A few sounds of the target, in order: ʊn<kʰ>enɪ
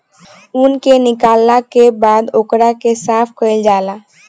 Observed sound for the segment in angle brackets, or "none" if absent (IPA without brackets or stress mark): k